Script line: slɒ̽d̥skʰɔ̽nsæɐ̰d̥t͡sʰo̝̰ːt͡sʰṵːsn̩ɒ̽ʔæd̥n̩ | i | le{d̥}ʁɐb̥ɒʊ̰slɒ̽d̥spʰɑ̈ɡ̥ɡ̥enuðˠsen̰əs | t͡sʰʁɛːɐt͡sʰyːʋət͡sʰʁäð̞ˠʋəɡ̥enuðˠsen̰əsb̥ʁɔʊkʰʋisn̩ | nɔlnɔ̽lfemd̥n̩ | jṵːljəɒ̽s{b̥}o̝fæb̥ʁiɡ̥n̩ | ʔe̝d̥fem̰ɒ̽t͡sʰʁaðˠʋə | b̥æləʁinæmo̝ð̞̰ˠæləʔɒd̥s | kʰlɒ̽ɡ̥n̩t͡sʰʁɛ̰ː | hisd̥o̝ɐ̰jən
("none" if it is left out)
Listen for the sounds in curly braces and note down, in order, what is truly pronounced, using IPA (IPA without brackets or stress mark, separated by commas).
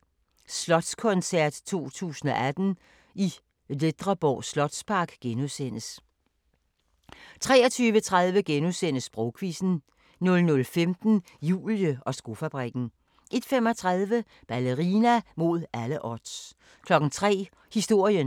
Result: d̥, ɡ̥